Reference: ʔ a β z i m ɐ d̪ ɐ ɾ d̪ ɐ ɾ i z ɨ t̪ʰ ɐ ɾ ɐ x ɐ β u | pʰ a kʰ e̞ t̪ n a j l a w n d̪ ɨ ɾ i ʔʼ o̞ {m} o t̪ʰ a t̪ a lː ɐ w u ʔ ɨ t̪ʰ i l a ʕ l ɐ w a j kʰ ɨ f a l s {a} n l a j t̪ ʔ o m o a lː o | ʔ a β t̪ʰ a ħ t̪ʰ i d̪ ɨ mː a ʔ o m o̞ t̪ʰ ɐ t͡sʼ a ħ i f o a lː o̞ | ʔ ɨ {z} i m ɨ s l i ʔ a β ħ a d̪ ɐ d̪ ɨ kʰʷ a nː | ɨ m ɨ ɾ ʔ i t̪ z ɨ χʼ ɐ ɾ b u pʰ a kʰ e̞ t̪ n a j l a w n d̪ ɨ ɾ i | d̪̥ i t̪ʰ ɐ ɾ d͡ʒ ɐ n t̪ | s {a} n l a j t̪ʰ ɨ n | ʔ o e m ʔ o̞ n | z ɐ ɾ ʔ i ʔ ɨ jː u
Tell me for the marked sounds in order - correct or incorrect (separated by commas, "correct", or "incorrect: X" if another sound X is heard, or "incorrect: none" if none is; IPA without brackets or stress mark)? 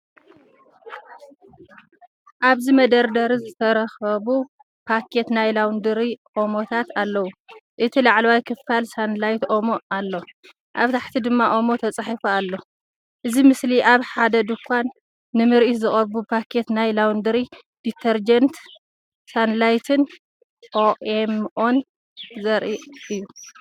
correct, correct, correct, correct